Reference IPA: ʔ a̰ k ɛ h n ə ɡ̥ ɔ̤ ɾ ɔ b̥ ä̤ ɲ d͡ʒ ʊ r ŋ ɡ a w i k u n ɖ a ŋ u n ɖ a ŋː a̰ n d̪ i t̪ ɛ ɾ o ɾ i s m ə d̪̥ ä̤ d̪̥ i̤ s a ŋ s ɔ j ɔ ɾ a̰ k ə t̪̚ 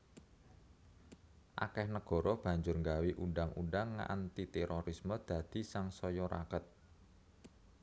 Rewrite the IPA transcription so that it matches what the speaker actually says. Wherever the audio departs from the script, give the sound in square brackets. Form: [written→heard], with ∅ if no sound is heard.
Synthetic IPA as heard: ʔ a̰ k ɛ h n ə ɡ̥ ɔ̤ ɾ ɔ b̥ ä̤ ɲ d͡ʒ ʊ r ŋ ɡ a w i [k→ʔ] u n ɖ a ŋ u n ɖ a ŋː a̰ n [d̪→t̪] i t̪ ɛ ɾ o ɾ i s m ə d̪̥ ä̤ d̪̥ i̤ s a ŋ s ɔ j ɔ ɾ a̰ k ə t̪̚